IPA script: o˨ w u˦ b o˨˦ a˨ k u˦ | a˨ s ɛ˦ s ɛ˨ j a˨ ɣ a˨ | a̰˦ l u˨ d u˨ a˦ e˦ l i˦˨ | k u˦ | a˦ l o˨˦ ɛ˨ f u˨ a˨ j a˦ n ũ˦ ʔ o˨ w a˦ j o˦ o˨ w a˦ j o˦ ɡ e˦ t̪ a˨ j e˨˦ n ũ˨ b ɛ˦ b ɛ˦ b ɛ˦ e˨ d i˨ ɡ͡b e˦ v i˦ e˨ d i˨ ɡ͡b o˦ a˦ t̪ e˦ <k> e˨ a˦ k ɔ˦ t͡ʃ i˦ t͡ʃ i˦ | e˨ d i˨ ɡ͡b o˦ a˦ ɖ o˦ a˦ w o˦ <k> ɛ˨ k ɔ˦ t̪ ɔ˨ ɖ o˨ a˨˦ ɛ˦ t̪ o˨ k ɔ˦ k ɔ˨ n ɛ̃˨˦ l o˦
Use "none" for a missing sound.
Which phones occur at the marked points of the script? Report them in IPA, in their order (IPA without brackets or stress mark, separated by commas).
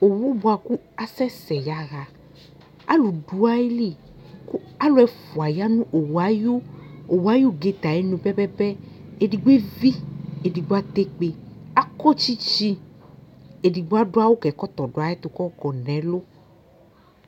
k͡p, k